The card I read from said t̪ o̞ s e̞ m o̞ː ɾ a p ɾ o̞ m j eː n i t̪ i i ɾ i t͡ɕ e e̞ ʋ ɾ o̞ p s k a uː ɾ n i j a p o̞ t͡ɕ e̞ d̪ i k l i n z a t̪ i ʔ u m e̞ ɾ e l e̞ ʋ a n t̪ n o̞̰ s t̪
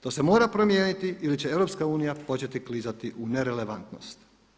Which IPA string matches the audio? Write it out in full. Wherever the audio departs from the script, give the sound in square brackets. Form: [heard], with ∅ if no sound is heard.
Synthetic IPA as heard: t̪ o̞ s e̞ m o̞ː ɾ a p ɾ o̞ m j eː n i t̪ i i [l] i t͡ɕ e e̞ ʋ ɾ o̞ p s k a uː [∅] n i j a p o̞ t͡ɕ e̞ [t̪] i k l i [∅] z a t̪ i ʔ u [n] e̞ ɾ e l e̞ ʋ a n t̪ n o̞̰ s t̪